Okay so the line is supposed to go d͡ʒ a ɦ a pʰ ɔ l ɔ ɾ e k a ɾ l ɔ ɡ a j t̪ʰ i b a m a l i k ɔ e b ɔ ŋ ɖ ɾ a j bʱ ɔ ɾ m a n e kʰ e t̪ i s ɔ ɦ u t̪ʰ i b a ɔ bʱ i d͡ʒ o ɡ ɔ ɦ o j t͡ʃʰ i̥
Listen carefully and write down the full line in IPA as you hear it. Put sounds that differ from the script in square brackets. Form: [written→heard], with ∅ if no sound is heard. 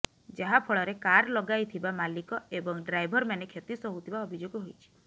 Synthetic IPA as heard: d͡ʒ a ɦ a pʰ ɔ [l→ɭ] ɔ ɾ e k a ɾ l ɔ ɡ a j t̪ʰ i b a m a l i k ɔ e b ɔ ŋ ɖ ɾ a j bʱ ɔ ɾ m a n e kʰ e t̪ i s ɔ ɦ u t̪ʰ i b a ɔ bʱ i d͡ʒ o ɡ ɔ ɦ o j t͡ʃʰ i̥